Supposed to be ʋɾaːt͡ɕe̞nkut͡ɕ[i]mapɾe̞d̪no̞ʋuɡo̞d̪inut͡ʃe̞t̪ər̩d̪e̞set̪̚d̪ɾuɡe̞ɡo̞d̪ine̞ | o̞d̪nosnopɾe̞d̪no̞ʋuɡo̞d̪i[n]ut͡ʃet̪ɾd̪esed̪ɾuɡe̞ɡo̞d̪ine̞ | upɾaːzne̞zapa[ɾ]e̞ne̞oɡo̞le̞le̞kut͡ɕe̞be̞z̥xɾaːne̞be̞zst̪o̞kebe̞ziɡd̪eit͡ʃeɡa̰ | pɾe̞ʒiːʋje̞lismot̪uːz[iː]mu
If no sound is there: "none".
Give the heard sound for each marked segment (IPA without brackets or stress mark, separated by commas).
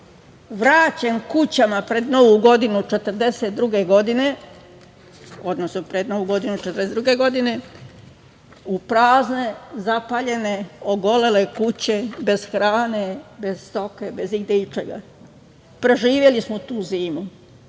a, n, ʎ, iː